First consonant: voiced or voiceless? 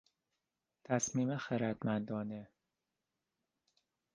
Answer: voiceless